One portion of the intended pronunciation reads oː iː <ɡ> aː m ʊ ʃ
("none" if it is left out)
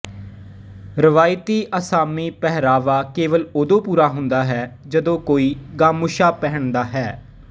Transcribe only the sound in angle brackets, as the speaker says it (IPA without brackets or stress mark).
ɡ